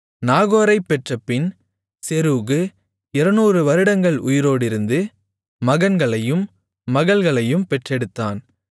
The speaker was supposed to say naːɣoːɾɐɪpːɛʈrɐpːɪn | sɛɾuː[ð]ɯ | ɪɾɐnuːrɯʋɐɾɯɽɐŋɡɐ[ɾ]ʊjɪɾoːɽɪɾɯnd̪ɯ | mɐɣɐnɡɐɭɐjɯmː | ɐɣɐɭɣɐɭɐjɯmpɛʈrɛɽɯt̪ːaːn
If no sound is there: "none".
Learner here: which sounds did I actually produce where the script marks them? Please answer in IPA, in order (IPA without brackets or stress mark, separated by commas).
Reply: ɣ, ɭ